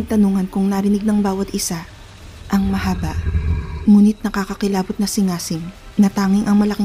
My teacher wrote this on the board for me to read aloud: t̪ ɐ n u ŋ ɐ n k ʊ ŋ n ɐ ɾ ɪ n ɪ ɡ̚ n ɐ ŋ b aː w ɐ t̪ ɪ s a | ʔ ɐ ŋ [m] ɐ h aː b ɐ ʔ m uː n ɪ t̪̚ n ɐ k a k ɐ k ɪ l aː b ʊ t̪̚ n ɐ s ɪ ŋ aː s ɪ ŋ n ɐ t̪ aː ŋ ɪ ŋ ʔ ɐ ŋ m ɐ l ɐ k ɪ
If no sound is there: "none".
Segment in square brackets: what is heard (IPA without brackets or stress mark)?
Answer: m